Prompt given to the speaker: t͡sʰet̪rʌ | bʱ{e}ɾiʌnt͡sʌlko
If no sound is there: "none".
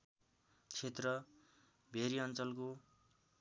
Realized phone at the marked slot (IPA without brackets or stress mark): e